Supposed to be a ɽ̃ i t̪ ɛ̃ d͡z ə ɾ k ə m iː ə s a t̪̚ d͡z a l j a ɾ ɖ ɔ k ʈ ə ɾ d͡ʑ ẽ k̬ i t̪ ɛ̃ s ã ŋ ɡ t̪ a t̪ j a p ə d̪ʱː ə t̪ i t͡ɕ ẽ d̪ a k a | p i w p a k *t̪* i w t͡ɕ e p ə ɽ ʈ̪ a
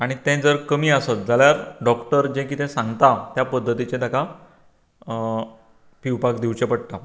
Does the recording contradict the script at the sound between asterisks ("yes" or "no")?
yes